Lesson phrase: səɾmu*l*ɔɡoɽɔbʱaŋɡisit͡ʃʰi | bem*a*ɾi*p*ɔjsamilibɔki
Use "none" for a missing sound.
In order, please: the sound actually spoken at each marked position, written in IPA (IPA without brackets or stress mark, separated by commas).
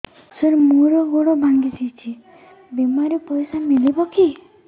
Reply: ɾ, a, p